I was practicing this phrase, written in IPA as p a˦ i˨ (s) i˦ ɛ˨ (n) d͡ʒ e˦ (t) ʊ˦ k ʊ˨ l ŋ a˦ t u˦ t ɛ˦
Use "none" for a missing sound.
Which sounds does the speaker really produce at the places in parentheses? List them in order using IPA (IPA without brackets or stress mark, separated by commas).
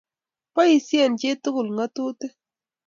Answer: s, n, t